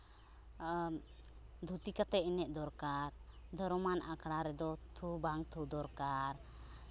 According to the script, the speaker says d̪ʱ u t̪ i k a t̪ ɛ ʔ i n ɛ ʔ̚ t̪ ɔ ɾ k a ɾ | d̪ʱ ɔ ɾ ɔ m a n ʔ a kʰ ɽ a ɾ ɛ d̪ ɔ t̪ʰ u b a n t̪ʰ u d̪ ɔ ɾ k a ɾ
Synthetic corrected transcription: d̪ʱ u t̪ i k a t̪ ɛ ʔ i n ɛ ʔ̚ d̪ ɔ ɾ k a ɾ | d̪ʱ ɔ ɾ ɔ m a n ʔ a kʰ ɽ a ɾ ɛ d̪ ɔ t̪ʰ u b a ŋ t̪ʰ u d̪ ɔ ɾ k a ɾ